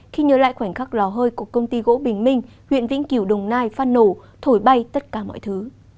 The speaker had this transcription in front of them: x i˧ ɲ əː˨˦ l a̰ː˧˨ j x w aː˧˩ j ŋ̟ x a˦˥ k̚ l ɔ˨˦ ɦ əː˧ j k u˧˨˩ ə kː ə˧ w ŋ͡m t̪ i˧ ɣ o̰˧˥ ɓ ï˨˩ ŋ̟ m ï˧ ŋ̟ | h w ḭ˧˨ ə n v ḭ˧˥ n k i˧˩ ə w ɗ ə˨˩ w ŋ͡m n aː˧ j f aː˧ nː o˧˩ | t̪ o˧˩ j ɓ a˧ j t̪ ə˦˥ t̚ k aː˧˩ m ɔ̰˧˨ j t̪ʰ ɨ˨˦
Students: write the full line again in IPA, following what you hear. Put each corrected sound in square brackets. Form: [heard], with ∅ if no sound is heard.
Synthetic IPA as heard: x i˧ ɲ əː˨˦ l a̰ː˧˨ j x w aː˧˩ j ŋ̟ x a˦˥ k̚ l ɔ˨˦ ɦ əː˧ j k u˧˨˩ ə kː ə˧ w ŋ͡m t̪ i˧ ɣ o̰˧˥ ɓ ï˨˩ ŋ̟ m ï˧ ŋ̟ | h w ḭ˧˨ ə n v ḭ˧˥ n k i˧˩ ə w ɗ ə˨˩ w ŋ͡m n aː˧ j f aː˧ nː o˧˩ | [t̪ʰ] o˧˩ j ɓ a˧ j t̪ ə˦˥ t̚ k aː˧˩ m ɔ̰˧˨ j t̪ʰ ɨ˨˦